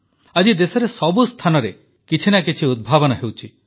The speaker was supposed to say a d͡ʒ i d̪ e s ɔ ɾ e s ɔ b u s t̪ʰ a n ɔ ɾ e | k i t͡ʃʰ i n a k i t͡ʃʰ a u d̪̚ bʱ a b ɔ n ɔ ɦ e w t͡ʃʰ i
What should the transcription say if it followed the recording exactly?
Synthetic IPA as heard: a d͡ʒ i d̪ e s ɔ ɾ e s ɔ b u s t̪ʰ a n ɔ ɾ e | k i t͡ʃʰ i n a k i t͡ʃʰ i u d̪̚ bʱ a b ɔ n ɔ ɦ e w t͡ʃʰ i

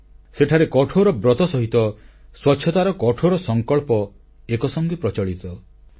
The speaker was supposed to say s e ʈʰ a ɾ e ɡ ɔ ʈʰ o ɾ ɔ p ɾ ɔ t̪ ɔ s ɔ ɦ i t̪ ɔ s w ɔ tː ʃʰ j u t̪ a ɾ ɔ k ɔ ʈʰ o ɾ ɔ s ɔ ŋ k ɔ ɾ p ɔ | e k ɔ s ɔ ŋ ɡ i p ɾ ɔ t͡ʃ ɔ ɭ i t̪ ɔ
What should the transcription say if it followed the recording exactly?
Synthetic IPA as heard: s e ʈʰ a ɾ e k ɔ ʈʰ o ɾ ɔ b ɾ ɔ t̪ ɔ s ɔ ɦ i t̪ ɔ s w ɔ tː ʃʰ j ɔ t̪ a ɾ ɔ k ɔ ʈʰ o ɾ ɔ s ɔ ŋ k ɔ ɭ p ɔ | e k ɔ s ɔ ŋ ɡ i p ɾ ɔ t͡ʃ ɔ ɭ i t̪ ɔ

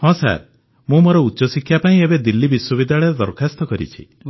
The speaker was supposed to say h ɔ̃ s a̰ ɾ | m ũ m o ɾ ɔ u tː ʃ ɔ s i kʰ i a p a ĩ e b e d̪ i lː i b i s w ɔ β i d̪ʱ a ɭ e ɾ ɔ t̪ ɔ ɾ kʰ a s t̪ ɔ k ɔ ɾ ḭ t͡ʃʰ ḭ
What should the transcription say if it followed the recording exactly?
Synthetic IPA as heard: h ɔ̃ s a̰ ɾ | m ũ m o ɾ ɔ u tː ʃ ɔ s i kʰ j a p a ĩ e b e d̪ i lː i b i s w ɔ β i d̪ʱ a ɭ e ɾ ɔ d̪ ɔ ɾ kʰ a s t̪ ɔ k ɔ ɾ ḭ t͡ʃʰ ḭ

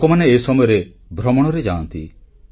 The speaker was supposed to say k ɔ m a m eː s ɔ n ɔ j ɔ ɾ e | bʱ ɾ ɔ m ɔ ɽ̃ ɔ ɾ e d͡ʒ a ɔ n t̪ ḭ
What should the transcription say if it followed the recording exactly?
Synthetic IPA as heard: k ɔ m a n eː s ɔ m ɔ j ɔ ɾ e | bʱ ɾ ɔ m ɔ ɽ̃ ɔ ɾ e d͡ʒ a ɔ n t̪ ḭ

